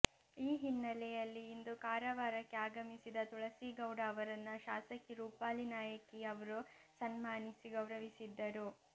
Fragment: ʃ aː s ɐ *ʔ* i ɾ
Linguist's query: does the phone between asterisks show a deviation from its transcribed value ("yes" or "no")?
yes